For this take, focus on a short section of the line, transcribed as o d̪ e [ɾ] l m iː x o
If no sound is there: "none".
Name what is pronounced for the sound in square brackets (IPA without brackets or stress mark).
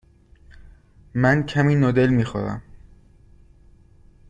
none